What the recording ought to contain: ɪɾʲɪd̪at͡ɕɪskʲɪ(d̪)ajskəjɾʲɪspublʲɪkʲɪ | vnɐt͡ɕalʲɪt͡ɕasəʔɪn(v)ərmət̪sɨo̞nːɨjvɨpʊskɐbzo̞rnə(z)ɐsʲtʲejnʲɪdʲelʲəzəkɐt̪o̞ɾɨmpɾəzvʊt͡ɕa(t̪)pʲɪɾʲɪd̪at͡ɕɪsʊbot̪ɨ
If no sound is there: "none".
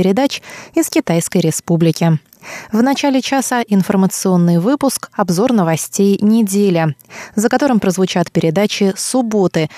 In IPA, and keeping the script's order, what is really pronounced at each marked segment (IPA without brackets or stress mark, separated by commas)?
t̪, f, v, t̪